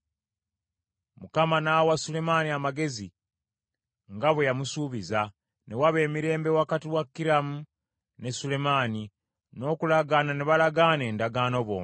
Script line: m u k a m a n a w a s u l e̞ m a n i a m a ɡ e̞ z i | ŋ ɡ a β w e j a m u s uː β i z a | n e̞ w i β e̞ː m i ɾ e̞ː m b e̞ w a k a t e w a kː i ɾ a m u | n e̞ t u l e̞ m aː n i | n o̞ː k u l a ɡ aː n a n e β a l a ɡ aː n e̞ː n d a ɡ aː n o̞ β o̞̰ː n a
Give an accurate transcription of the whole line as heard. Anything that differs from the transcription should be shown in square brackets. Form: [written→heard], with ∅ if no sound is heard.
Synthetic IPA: m u k a m a n a w a s u l e̞ m a n i a m a ɡ e̞ z i | ŋ ɡ a β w e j a m u s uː β i z a | n e̞ w [i→a] β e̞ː m i ɾ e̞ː m b e̞ w a k a t [e→i] w a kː i ɾ a m u | n e̞ [t→s] u l e̞ m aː n i | n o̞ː k u l a ɡ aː n a n e β a l a ɡ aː n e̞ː n d a ɡ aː n o̞ β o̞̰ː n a